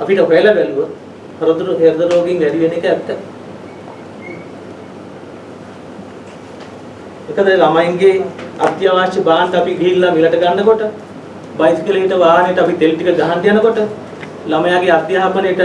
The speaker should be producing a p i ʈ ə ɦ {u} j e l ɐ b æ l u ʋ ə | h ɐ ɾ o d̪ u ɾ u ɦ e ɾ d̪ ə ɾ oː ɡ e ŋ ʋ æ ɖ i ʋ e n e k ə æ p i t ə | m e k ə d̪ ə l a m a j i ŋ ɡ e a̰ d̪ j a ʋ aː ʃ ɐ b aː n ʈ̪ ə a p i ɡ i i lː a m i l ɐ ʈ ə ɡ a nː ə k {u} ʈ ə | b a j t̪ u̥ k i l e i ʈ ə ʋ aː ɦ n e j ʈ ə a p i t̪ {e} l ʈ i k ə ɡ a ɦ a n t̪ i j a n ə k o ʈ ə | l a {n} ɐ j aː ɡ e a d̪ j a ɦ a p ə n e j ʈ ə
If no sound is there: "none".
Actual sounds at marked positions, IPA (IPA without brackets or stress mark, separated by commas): o, o, e, m